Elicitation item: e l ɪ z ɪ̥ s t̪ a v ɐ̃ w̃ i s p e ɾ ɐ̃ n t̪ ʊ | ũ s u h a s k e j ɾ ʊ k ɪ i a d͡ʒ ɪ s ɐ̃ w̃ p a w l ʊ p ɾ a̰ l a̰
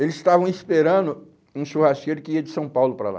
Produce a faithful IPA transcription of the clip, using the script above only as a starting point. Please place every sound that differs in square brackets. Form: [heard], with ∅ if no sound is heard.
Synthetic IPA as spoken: e l ɪ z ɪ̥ s t̪ a v ɐ̃ w̃ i s p e ɾ ɐ̃ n [d̪] ʊ | ũ [ʃ] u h a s k e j ɾ ʊ k ɪ i [ɐ] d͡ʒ ɪ s ɐ̃ w̃ p a w l ʊ p ɾ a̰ l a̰